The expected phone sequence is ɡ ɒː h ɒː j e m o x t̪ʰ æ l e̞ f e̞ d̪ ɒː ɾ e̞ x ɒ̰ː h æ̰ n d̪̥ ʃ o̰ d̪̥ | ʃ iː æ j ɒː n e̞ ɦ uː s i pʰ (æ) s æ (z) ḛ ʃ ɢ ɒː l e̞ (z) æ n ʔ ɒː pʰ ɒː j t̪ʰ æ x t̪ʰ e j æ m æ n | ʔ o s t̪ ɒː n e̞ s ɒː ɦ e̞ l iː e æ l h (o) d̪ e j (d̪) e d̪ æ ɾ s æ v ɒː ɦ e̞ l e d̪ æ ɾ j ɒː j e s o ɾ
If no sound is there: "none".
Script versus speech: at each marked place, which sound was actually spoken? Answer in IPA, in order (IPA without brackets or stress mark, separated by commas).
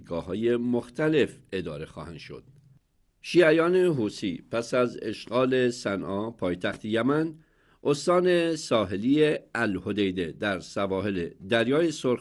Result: æ, z, s, o, d̪